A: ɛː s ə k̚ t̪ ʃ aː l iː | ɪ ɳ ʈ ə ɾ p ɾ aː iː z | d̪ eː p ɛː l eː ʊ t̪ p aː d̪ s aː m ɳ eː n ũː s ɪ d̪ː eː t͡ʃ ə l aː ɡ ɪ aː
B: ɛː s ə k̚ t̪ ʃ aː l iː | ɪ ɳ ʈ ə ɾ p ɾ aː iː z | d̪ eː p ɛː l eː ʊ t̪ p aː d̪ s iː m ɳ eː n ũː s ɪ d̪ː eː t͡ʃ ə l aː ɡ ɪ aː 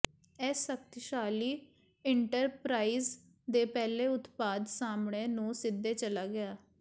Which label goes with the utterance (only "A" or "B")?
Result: A